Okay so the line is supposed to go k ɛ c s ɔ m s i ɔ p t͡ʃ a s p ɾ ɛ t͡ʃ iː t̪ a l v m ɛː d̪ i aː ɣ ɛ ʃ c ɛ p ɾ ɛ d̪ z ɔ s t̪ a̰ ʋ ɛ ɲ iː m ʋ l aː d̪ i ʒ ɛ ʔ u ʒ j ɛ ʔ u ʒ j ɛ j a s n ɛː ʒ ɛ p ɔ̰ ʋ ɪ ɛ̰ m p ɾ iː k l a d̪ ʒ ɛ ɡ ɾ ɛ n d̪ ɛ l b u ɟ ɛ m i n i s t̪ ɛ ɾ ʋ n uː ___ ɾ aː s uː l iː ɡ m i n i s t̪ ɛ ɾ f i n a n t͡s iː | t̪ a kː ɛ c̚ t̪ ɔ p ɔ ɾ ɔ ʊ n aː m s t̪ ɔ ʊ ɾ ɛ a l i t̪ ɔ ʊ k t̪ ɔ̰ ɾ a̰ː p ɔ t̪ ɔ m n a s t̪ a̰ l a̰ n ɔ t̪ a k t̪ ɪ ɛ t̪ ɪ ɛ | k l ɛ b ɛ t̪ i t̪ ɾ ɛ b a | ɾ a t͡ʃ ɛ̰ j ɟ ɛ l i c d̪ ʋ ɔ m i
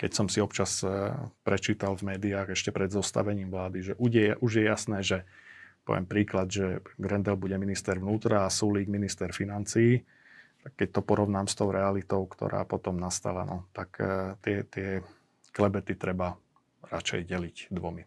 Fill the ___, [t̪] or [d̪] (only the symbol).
t̪